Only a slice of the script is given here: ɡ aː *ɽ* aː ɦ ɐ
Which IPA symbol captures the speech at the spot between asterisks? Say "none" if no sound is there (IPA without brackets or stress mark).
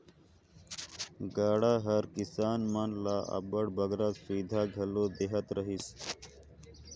ɽ